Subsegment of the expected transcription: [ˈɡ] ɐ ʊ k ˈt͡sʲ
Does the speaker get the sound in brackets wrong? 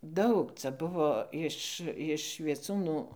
yes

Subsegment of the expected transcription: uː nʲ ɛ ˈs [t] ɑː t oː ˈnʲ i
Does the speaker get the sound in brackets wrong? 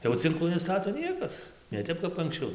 no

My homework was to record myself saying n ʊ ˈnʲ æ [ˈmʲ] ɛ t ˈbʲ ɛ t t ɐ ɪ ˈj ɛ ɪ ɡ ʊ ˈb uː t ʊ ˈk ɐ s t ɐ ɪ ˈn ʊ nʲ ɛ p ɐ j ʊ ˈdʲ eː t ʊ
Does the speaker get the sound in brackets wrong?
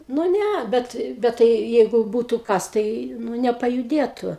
yes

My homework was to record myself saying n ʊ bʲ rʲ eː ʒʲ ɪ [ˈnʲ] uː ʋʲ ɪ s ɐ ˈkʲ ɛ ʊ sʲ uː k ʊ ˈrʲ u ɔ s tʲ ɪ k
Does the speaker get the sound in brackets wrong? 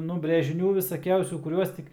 no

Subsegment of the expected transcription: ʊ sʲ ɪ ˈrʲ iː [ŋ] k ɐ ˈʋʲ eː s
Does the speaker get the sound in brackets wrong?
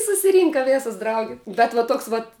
no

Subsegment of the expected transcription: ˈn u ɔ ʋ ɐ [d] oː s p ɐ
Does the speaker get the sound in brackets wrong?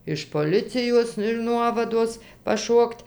no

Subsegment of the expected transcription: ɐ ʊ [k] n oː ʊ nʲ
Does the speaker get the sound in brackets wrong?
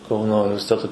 yes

